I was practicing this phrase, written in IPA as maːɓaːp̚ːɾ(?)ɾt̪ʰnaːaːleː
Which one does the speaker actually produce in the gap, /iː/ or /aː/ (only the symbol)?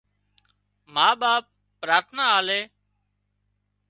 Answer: aː